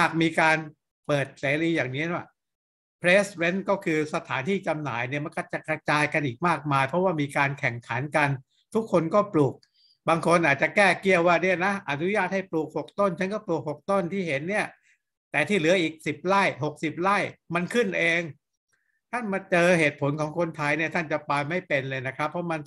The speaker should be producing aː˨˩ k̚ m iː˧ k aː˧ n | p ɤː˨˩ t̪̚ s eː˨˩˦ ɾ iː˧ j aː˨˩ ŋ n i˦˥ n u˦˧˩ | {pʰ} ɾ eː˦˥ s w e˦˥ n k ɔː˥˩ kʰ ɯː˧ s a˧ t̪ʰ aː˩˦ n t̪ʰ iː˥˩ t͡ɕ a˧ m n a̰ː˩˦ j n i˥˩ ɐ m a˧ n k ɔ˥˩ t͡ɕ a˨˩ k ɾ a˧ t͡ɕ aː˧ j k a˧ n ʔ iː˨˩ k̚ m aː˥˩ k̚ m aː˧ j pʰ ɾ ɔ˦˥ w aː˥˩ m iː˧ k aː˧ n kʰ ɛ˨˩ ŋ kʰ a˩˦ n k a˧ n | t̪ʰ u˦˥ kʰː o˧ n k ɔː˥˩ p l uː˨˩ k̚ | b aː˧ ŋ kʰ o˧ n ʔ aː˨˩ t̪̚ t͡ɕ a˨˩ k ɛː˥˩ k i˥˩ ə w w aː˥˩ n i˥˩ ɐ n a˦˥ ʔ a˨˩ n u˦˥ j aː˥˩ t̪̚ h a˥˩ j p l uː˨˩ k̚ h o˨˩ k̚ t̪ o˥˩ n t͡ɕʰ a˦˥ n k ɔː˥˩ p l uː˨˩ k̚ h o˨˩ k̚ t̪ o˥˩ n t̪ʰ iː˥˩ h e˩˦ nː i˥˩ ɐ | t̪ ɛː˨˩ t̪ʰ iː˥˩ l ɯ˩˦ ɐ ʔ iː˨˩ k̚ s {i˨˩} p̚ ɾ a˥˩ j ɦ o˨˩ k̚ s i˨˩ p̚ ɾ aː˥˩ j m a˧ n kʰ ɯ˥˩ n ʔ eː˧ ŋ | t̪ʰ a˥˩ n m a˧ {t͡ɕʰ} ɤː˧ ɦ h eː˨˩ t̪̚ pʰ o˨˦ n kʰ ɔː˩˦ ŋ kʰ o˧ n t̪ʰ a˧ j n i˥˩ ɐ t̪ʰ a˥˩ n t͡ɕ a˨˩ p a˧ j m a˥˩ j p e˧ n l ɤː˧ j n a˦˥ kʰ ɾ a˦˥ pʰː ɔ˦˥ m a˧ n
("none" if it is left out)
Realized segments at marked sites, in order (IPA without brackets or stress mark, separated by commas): pʰ, i˨˩, t͡ɕ